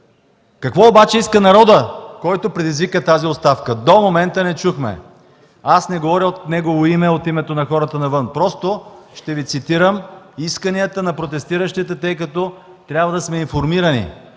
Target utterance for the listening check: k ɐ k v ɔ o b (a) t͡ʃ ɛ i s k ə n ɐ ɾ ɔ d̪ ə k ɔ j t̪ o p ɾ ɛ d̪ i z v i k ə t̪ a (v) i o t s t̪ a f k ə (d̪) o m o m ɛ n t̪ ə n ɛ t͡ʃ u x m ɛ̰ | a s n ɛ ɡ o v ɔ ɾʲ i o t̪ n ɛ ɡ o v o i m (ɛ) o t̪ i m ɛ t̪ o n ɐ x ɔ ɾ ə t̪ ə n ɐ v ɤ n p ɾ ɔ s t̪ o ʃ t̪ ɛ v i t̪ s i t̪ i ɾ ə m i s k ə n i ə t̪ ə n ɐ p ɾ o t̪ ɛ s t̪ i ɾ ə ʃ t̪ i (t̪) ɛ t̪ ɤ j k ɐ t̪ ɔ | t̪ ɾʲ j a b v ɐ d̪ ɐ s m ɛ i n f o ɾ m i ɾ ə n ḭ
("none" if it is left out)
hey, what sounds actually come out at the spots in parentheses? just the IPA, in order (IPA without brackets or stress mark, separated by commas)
a, z, d̪, ɛ, t̪